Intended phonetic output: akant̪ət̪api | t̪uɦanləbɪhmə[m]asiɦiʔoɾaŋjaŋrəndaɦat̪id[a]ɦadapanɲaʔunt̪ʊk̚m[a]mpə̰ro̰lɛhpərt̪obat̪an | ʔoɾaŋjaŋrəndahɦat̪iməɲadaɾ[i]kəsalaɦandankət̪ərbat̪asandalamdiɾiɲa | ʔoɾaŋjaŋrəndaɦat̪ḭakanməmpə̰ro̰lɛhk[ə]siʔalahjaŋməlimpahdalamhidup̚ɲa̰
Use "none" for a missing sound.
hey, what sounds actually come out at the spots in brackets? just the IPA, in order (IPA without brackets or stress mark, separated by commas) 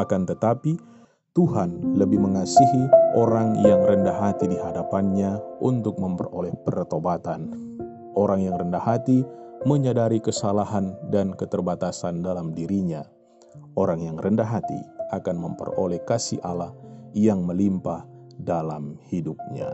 ŋ, i, ə, i, a